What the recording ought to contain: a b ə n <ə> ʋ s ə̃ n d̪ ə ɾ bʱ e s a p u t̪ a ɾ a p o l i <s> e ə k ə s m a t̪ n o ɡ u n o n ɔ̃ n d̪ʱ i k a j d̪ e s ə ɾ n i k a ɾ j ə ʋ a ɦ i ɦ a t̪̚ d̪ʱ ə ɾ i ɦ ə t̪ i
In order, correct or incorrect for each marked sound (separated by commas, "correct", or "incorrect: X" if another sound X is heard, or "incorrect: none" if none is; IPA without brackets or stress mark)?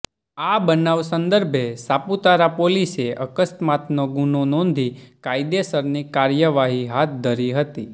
incorrect: a, correct